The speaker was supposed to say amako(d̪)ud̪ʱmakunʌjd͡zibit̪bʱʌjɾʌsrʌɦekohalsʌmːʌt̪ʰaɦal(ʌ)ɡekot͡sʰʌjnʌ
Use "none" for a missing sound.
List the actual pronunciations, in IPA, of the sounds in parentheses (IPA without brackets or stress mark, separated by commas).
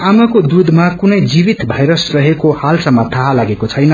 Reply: d̪, a